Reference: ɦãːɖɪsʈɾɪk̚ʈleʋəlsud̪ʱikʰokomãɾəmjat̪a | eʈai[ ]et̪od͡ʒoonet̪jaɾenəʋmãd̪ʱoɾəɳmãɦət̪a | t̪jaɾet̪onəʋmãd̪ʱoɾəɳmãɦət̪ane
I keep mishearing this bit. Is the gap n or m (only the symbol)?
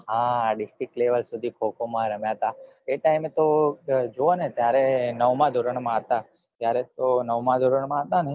m